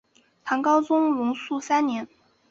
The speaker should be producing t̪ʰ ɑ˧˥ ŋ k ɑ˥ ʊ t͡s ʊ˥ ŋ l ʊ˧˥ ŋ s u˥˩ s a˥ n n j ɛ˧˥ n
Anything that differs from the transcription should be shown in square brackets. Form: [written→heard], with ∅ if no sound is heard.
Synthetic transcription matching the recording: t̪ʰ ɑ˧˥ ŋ k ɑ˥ ʊ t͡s ʊ˥ ŋ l ʊ˧˥ ŋ s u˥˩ s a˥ n n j ɛ˧˥ n

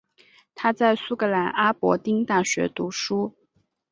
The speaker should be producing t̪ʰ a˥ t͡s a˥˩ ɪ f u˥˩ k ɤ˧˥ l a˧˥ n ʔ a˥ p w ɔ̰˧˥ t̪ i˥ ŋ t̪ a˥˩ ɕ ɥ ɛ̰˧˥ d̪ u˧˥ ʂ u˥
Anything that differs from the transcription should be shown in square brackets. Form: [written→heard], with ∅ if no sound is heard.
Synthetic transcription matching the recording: t̪ʰ a˥ t͡s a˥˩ ɪ [f→s] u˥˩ k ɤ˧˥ l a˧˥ n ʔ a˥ p w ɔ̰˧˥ t̪ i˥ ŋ t̪ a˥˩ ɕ ɥ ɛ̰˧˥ [d̪→t̪] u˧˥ ʂ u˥

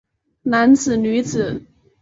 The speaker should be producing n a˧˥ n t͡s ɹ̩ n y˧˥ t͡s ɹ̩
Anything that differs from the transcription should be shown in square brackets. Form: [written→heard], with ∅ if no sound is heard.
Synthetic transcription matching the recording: n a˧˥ n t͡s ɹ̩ n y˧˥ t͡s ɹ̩

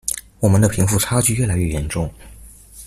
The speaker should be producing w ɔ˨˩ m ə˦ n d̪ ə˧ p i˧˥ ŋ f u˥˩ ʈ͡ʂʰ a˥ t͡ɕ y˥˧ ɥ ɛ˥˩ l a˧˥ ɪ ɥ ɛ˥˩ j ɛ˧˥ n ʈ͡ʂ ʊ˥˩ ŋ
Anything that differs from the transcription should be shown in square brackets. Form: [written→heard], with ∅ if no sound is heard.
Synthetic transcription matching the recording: w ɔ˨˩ m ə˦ n d̪ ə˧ [p→pʰ] i˧˥ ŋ f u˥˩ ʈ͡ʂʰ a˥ t͡ɕ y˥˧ ɥ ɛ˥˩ l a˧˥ ɪ ɥ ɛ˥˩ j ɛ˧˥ n ʈ͡ʂ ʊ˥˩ ŋ

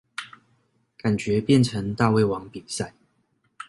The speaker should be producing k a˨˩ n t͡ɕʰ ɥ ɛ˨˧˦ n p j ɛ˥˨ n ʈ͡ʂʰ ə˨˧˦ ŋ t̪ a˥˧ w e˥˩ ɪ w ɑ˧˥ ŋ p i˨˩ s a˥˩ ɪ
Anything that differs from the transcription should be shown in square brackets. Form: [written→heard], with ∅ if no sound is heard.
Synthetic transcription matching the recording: k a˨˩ n [t͡ɕʰ→t͡ɕ] ɥ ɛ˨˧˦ [n→∅] p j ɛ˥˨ n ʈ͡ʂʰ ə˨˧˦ ŋ t̪ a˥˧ w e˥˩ ɪ w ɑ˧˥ ŋ p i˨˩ s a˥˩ ɪ

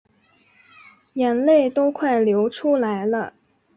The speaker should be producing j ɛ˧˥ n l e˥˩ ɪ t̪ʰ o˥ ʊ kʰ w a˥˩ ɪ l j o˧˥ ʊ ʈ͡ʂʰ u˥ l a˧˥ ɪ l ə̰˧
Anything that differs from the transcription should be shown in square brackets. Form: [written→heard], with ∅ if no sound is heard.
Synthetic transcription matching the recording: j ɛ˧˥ n l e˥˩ ɪ [t̪ʰ→t̪] o˥ ʊ kʰ w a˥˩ ɪ l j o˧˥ ʊ ʈ͡ʂʰ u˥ l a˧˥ ɪ l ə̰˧

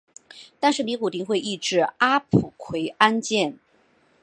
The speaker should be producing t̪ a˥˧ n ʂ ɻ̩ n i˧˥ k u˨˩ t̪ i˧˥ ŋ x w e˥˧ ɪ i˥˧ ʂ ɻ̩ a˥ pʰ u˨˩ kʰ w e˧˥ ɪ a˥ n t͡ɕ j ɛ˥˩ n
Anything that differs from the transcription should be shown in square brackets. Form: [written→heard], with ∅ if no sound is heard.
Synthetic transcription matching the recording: t̪ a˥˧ n ʂ ɻ̩ n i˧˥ k u˨˩ t̪ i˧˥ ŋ x w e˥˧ ɪ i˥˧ [ʂ→ʈ͡ʂ] ɻ̩ a˥ pʰ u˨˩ kʰ w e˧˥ ɪ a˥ n t͡ɕ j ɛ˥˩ n

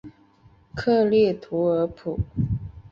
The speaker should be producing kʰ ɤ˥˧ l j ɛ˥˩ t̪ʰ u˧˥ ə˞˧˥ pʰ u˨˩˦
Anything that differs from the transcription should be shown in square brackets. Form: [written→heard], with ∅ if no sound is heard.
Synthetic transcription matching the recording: kʰ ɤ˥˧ l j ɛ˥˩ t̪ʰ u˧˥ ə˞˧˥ pʰ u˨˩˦

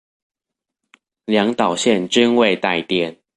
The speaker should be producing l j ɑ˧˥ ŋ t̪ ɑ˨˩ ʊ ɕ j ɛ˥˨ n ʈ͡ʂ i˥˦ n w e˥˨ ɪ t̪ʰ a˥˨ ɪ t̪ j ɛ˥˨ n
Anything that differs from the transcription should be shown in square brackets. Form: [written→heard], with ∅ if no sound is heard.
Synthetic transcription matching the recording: l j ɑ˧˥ ŋ t̪ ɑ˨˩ ʊ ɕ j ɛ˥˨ n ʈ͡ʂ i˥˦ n w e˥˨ ɪ [t̪ʰ→t̪] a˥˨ ɪ t̪ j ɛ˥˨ n

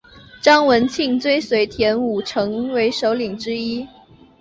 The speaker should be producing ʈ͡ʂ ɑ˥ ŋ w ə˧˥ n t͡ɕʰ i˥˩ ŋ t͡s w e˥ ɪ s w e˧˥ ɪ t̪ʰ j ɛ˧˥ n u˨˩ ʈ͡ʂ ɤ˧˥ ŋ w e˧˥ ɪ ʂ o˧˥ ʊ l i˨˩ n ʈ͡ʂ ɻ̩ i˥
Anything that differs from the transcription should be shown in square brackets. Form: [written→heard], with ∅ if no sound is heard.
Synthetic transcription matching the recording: ʈ͡ʂ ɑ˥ ŋ w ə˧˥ n t͡ɕʰ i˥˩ ŋ t͡s w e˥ ɪ s w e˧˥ ɪ t̪ʰ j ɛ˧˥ n u˨˩ [ʈ͡ʂ→ʈ͡ʂʰ] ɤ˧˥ ŋ w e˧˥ ɪ ʂ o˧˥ ʊ l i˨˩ [n→ŋ] ʈ͡ʂ ɻ̩ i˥

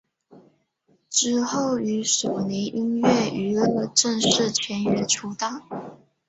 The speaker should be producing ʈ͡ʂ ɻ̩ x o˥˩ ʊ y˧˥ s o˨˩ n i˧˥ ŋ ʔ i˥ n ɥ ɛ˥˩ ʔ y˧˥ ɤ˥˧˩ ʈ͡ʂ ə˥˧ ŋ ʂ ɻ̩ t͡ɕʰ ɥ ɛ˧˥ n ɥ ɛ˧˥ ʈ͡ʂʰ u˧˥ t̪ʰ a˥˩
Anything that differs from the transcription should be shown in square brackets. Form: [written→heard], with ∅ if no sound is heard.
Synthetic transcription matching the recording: ʈ͡ʂ ɻ̩ x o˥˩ ʊ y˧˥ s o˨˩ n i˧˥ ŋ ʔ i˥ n ɥ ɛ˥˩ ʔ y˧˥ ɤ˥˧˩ ʈ͡ʂ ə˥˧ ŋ ʂ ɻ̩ t͡ɕʰ ɥ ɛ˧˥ n ɥ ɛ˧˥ ʈ͡ʂʰ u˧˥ [t̪ʰ→t̪] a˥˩

